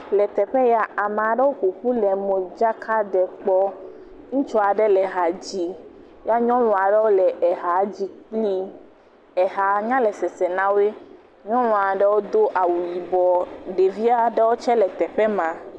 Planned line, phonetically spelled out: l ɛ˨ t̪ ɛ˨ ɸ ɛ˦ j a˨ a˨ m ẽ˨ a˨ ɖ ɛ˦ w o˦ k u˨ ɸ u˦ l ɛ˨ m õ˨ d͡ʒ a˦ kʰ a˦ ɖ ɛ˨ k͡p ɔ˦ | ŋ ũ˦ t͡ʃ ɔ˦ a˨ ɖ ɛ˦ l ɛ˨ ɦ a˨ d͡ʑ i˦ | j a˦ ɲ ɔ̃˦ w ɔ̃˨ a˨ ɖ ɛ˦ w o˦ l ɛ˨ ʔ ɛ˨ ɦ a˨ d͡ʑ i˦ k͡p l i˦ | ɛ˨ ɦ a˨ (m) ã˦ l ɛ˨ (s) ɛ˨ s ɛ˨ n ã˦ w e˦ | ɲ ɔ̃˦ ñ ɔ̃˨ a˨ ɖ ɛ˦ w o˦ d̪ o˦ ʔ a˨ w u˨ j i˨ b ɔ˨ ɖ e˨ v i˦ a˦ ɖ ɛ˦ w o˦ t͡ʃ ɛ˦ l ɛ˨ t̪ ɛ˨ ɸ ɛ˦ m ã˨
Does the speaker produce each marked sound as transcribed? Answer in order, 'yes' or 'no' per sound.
no, yes

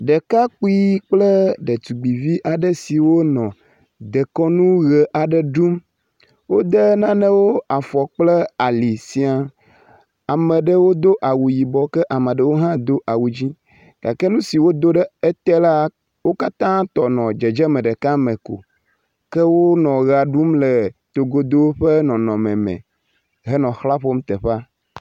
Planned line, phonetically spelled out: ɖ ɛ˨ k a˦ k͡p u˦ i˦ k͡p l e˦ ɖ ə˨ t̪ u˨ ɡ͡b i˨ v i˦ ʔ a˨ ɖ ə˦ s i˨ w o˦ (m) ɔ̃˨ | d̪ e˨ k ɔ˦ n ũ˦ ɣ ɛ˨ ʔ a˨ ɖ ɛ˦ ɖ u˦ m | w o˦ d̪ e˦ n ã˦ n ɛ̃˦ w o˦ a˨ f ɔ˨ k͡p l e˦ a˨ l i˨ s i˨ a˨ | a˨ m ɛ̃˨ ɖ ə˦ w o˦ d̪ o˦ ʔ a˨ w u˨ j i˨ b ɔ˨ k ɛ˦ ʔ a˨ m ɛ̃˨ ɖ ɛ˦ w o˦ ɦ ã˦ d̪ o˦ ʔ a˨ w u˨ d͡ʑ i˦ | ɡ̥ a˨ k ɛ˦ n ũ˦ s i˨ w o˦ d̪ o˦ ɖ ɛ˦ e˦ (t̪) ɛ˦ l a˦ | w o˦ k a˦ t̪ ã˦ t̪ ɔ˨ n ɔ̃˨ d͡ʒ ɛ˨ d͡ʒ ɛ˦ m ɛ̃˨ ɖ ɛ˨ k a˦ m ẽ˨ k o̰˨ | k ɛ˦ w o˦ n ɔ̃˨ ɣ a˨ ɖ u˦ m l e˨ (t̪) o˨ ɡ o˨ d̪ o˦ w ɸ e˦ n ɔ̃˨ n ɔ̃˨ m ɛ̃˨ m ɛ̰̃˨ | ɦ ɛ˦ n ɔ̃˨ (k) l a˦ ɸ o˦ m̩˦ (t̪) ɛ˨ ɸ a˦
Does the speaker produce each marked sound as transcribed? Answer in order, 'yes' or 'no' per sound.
no, yes, yes, no, yes

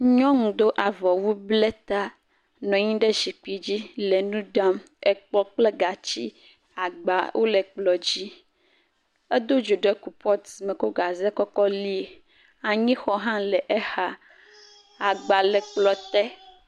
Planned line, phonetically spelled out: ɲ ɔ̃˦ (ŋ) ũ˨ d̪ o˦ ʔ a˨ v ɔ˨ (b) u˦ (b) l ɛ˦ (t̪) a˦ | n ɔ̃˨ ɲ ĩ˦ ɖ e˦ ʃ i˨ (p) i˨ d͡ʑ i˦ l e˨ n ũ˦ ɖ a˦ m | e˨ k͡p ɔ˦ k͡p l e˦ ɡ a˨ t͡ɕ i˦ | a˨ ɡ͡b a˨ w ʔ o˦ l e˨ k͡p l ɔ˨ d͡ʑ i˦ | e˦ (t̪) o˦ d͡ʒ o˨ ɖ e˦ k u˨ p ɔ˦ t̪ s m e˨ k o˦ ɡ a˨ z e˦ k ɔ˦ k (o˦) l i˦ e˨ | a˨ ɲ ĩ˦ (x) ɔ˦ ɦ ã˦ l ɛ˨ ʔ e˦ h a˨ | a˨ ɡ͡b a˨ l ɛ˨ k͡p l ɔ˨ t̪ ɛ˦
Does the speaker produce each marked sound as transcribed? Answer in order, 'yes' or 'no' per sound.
yes, no, yes, yes, no, no, no, yes

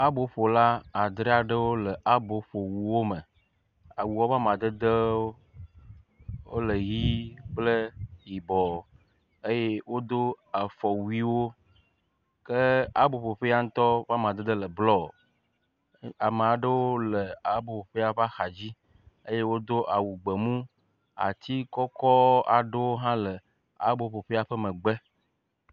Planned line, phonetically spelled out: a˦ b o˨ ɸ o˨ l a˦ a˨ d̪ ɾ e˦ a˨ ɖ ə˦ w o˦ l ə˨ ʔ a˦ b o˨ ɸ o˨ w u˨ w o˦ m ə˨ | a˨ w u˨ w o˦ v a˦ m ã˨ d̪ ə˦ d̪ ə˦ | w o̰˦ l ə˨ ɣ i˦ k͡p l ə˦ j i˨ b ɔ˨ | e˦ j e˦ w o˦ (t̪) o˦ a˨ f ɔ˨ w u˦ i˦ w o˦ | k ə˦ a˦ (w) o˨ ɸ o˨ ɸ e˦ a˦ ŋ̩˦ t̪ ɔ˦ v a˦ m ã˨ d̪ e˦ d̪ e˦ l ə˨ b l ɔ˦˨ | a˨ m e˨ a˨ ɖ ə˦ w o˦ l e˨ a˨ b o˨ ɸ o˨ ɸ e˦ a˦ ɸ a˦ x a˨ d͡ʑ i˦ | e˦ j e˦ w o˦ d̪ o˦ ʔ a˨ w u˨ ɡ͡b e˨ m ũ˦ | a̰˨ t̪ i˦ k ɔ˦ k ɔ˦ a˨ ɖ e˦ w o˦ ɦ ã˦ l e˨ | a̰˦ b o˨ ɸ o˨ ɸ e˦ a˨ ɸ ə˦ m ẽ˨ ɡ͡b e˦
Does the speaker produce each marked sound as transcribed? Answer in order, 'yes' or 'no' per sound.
no, no

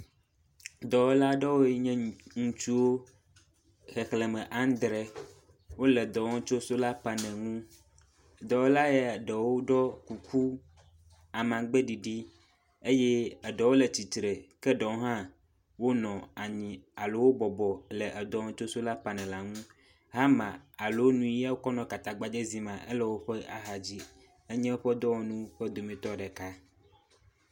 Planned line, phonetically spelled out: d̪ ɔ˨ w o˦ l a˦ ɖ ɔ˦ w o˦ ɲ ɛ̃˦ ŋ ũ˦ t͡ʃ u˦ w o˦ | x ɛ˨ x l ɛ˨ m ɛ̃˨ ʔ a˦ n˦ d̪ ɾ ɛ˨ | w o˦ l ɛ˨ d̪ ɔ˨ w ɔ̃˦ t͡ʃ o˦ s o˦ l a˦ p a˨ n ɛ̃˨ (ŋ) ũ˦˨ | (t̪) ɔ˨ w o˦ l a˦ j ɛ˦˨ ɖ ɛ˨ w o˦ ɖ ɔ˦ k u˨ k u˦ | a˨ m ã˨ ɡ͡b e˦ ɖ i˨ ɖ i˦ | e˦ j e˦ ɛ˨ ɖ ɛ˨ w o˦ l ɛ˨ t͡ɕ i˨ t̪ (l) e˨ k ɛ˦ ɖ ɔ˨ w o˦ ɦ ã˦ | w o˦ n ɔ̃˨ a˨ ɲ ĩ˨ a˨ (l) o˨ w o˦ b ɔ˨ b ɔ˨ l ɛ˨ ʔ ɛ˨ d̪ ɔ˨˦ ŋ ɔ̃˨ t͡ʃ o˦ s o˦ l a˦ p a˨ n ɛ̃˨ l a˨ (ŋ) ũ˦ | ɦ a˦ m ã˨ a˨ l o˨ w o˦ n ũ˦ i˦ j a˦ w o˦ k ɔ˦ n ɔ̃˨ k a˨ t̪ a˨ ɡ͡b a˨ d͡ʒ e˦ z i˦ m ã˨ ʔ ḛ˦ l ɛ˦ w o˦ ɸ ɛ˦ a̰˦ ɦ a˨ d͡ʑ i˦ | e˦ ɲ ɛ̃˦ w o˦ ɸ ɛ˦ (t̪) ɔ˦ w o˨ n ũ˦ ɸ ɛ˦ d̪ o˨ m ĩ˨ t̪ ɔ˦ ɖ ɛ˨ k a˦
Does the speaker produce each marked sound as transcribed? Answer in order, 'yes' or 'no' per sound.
yes, no, no, yes, yes, no

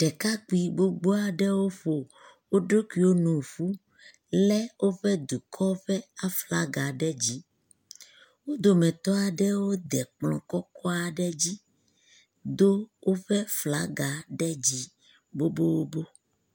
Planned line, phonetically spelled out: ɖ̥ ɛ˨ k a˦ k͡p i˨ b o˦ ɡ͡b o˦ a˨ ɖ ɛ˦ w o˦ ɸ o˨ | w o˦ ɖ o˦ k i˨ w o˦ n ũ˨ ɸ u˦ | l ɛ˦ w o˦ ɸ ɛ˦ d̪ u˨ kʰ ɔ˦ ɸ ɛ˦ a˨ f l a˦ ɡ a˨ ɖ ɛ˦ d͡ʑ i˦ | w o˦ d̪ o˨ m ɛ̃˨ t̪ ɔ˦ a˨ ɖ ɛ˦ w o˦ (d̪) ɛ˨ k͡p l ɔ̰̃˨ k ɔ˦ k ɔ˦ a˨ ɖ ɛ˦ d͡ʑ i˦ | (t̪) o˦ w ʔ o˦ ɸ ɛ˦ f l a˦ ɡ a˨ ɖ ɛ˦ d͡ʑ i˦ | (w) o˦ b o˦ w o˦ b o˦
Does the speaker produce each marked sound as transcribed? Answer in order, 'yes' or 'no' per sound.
yes, no, no

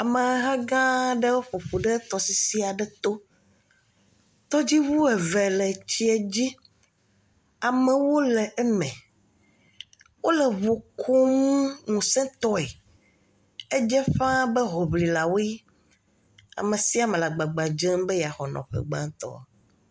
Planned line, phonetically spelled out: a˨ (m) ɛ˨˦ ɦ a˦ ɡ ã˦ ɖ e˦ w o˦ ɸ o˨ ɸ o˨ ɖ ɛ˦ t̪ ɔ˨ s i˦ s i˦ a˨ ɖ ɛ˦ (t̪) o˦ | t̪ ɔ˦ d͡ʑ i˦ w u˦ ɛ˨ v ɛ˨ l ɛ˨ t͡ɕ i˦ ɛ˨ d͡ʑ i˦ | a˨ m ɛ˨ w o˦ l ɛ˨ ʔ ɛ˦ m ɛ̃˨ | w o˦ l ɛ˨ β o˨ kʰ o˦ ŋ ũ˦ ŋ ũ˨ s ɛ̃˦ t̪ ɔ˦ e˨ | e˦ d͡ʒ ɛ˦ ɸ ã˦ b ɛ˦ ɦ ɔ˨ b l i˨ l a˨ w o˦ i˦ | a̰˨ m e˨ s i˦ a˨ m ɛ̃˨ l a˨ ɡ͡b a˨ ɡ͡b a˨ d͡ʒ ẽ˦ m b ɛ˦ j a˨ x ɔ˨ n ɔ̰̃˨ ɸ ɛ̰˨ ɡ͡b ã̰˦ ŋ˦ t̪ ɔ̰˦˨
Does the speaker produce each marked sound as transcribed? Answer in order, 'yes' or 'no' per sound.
yes, yes

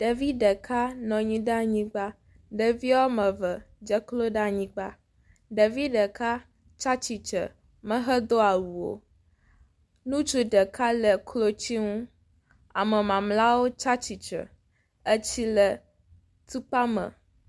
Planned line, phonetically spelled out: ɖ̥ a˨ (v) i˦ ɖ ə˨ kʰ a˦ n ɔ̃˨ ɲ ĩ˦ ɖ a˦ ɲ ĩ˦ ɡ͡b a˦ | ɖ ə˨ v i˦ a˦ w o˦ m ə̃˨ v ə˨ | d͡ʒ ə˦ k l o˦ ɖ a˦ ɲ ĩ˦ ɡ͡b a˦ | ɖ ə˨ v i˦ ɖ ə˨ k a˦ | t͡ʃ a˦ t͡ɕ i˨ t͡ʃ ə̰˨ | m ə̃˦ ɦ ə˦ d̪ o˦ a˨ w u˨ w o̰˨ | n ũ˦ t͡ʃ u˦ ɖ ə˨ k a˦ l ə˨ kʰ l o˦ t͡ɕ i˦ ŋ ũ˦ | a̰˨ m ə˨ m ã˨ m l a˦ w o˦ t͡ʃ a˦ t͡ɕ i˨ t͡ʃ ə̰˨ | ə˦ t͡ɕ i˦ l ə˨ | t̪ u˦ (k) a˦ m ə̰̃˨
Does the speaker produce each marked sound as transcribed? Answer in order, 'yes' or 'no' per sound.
yes, no

